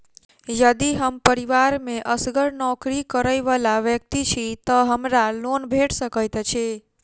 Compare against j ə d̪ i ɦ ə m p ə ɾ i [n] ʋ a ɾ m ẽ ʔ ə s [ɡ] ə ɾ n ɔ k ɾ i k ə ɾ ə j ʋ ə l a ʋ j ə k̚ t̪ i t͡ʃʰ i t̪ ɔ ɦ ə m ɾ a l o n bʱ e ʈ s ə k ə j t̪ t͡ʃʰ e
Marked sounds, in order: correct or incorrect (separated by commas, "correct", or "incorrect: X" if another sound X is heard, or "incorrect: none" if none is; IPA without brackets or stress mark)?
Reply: incorrect: none, correct